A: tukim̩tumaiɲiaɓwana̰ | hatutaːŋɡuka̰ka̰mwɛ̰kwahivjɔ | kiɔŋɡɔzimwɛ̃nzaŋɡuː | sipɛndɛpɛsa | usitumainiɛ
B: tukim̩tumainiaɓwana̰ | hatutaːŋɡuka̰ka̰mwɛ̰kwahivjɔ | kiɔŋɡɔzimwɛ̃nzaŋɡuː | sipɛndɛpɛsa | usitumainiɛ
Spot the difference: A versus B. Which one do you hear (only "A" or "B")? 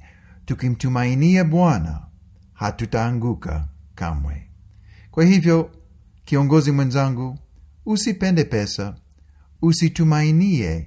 B